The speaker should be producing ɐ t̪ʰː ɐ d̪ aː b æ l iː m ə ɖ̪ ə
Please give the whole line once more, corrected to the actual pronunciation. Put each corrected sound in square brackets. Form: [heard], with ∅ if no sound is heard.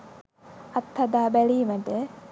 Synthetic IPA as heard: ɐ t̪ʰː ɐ d̪ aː b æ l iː m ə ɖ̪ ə